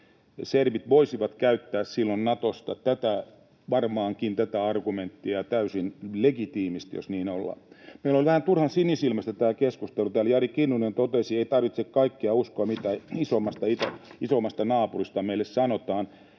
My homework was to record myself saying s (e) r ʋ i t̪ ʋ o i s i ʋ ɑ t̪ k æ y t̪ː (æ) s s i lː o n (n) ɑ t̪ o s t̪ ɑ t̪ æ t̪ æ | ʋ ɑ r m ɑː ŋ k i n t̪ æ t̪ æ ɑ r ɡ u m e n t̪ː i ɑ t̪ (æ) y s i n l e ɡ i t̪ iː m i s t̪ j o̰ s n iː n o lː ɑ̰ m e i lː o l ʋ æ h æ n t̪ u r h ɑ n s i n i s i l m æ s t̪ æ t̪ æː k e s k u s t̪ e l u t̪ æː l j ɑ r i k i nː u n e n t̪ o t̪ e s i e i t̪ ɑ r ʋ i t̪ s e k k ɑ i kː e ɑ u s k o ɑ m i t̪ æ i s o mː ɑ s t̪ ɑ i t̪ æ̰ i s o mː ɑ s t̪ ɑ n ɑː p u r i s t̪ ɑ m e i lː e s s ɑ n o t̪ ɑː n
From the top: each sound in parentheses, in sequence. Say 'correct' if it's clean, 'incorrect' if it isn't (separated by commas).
correct, incorrect, correct, correct